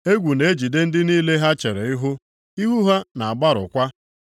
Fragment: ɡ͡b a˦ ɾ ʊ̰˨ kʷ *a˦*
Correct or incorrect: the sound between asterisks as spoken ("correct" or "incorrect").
correct